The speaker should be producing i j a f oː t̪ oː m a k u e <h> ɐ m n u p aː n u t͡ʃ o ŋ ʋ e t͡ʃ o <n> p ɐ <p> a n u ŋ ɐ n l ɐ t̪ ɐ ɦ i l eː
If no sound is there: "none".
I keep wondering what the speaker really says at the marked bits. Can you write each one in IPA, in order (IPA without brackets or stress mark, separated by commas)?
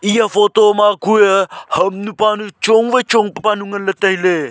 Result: h, ŋ, p